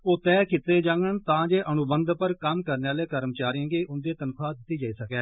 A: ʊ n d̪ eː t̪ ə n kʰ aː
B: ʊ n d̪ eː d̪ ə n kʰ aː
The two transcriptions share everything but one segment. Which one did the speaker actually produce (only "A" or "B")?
A